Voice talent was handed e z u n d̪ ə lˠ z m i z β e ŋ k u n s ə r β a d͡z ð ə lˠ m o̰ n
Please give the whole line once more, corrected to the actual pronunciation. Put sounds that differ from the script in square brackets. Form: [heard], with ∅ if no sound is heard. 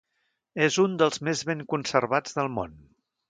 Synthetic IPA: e z u n d̪ ə lˠ z m [e] z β e ŋ k u n s ə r β a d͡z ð ə lˠ m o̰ n